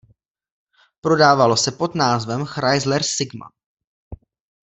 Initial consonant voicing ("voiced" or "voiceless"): voiceless